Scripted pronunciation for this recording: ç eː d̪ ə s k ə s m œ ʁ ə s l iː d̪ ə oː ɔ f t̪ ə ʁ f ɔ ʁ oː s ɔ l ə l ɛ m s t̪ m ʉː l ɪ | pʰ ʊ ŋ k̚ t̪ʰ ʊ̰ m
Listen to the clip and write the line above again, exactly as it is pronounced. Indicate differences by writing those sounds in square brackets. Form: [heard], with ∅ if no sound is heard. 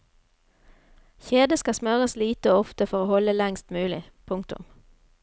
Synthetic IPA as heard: ç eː d̪ ə s k [ɑ] s m œ ʁ ə s l iː [t̪] ə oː ɔ f t̪ ə [∅] f ɔ ʁ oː [h] ɔ l ə l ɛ [ŋ] s t̪ m ʉː l ɪ | pʰ ʊ ŋ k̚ [t̪] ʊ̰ m